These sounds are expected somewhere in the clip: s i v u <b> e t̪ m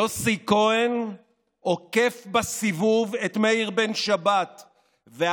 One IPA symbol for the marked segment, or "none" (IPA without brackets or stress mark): v